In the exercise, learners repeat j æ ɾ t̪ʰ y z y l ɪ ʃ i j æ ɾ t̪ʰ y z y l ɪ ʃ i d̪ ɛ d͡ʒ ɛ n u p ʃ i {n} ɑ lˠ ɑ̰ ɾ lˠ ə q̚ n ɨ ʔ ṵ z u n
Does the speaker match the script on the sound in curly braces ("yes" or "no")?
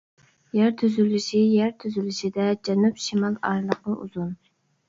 no